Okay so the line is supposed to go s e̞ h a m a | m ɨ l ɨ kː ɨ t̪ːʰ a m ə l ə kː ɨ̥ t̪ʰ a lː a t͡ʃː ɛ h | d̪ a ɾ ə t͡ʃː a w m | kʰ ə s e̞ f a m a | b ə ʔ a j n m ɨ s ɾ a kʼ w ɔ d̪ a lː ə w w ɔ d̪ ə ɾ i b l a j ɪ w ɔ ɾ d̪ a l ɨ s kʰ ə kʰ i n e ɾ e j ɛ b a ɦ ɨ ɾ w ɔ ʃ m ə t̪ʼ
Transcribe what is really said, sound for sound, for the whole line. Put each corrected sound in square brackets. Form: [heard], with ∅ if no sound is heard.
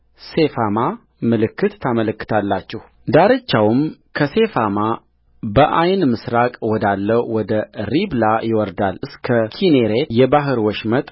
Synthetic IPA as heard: s e̞ [f] a m a | m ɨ l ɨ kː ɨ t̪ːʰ a m ə l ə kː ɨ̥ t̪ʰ a lː a t͡ʃː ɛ h | d̪ a ɾ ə t͡ʃː a w m | kʰ ə s e̞ f a m a | b ə ʔ a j n m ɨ s ɾ a kʼ w ɔ d̪ a lː ə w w ɔ d̪ ə ɾ i b l a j ɪ w ɔ ɾ d̪ a l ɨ s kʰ ə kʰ i n e ɾ e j ɛ b a ɦ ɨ ɾ w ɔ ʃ m ə t̪ʼ